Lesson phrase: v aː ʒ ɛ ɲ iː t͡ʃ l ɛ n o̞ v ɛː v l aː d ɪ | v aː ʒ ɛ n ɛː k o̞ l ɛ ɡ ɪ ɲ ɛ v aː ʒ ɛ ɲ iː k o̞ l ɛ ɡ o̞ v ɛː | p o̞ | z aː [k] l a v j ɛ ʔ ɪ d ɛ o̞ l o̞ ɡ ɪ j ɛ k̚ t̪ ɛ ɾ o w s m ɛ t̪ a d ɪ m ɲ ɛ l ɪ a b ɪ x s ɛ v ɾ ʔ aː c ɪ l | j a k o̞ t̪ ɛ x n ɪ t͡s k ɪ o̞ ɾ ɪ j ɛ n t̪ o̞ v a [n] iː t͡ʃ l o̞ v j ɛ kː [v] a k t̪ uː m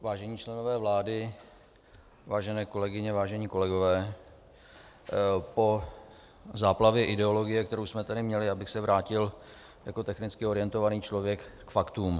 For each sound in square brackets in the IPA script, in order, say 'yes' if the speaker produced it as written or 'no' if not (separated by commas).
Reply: no, yes, no